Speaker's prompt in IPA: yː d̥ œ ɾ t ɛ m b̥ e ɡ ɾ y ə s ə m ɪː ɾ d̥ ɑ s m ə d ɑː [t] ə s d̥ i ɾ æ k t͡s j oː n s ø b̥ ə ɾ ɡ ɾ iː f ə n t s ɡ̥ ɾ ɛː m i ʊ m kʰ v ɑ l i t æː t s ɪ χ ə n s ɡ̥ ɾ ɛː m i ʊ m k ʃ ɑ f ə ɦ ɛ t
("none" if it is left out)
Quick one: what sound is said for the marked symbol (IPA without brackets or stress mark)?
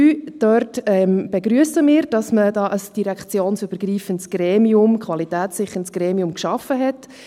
ʔ